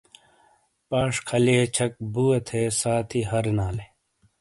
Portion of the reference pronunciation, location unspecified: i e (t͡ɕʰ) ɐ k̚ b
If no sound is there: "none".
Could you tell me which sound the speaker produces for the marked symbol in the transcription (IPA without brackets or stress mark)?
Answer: t͡ɕʰ